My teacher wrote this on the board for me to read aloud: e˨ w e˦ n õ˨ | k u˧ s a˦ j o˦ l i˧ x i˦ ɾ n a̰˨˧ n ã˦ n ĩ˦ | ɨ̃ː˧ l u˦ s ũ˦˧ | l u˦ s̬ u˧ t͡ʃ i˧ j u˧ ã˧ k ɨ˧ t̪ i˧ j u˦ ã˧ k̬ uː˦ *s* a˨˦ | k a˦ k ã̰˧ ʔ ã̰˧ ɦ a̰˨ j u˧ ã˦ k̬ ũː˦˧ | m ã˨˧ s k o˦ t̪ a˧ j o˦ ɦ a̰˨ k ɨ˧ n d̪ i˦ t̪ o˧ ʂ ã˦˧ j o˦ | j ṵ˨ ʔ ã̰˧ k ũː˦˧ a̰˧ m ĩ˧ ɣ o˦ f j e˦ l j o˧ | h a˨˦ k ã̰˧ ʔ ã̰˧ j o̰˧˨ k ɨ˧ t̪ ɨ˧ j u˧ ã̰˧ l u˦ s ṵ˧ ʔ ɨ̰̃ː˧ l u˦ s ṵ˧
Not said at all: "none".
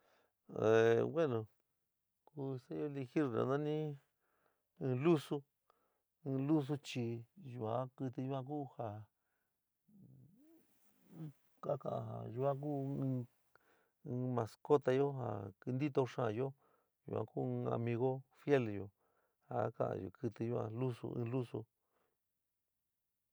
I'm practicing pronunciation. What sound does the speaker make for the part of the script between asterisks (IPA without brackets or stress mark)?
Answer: h